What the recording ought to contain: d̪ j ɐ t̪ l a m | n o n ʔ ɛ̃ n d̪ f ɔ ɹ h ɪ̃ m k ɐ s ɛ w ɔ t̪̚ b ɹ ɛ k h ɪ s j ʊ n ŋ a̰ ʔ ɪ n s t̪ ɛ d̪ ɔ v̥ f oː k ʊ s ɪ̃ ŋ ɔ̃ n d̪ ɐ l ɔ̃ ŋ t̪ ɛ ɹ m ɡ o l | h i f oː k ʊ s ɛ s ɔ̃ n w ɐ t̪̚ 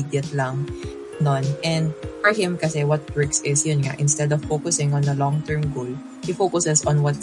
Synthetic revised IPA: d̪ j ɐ t̪ l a ŋ | n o n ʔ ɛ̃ n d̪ f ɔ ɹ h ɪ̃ m k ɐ s ɛ w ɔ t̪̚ b ɹ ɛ k s ɪ s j ʊ n ŋ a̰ ʔ ɪ n s t̪ ɛ d̪ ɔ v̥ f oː k ʊ s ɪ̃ ŋ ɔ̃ n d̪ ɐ l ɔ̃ ŋ t̪ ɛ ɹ m ɡ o l | h i f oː k ʊ s ɛ s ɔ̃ n w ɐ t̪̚